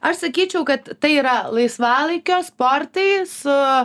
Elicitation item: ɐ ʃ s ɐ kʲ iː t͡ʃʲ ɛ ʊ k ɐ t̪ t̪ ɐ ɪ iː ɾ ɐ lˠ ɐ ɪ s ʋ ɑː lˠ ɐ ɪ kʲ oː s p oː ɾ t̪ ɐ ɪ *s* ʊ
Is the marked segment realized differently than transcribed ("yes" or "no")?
no